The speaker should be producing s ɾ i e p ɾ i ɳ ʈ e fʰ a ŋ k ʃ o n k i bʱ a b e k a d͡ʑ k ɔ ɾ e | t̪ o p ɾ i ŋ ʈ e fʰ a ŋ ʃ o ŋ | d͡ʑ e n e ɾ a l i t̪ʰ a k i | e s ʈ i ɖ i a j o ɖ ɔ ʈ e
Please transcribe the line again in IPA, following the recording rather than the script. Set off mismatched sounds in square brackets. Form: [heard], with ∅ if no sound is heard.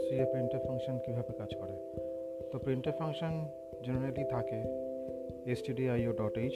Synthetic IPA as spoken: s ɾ i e p ɾ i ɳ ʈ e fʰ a ŋ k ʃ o n k i bʱ a b e k a d͡ʑ k ɔ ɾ e | t̪ o p ɾ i [ɳ] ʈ e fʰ a ŋ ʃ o [n] | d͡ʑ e n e ɾ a l i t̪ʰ a k [e] | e s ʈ i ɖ i a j o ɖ ɔ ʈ e